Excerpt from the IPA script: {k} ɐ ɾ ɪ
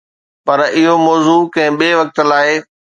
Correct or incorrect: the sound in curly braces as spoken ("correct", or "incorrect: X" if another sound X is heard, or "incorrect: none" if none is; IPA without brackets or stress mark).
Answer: incorrect: p